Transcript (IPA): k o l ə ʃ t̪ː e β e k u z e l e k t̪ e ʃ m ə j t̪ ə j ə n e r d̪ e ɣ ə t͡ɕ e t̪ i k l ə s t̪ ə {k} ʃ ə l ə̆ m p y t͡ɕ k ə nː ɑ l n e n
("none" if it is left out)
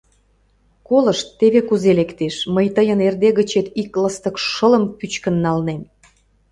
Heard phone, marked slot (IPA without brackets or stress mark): k